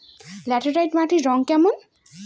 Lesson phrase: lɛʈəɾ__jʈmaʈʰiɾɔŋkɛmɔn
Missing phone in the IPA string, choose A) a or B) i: A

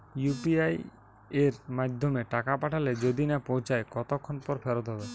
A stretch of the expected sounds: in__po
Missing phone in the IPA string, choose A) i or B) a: B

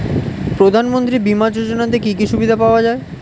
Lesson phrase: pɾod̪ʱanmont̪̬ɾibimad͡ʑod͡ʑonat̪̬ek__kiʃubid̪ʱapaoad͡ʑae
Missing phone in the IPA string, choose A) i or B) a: A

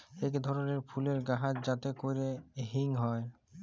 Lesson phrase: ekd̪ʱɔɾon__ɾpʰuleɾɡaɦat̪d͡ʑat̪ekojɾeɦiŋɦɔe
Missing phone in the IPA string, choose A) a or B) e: B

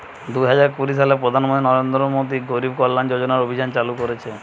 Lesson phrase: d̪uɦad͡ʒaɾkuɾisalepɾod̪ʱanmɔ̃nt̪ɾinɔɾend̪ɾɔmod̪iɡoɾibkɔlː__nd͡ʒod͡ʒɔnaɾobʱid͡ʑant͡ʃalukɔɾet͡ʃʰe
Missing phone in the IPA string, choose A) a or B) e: A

